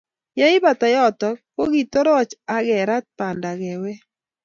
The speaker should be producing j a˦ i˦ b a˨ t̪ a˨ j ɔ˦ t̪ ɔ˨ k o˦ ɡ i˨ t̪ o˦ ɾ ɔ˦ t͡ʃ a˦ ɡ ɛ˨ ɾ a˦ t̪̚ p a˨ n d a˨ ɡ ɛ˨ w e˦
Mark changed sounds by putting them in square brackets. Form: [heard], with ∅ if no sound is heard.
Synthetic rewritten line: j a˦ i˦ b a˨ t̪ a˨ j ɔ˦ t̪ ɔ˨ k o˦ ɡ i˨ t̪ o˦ ɾ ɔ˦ t͡ʃ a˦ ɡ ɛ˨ ɾ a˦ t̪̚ p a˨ n d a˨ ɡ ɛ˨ w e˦